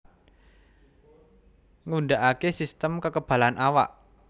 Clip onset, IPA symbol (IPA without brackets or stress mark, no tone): ŋ